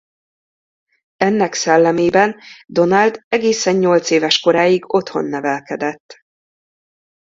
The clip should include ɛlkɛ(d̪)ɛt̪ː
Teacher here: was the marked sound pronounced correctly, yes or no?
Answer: yes